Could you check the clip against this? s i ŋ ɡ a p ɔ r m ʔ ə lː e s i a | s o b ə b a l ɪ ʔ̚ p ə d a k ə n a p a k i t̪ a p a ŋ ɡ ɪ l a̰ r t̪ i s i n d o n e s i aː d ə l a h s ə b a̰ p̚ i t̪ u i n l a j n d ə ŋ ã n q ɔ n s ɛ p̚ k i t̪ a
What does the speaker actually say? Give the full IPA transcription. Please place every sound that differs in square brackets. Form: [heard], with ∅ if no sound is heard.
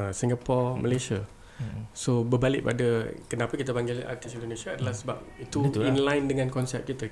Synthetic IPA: s i ŋ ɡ a p ɔ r m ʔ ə [l] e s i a | s o b ə b a l ɪ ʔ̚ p [a] d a k ə n a p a k i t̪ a p a ŋ ɡ ɪ l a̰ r t̪ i s i n d o n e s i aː d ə l a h s ə b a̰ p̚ i t̪ u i n l a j n d ə ŋ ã n [k] ɔ n s ɛ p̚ k i t̪ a